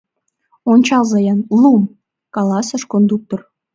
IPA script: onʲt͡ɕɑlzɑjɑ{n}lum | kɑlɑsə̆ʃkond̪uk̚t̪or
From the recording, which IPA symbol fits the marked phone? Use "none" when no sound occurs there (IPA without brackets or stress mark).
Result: n